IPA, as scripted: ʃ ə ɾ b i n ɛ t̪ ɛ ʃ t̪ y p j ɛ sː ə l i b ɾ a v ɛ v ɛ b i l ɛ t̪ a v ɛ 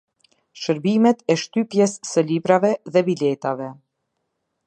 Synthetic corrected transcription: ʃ ə ɾ b i m ɛ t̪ ɛ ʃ t̪ y p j ɛ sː ə l i b ɾ a v ɛ ð ɛ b i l ɛ t̪ a v ɛ